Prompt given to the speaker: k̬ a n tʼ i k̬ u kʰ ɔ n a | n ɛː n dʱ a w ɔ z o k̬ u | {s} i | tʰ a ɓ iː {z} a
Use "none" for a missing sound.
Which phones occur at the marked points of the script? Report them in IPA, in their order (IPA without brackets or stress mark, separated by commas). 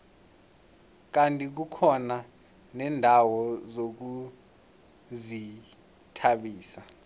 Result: z, s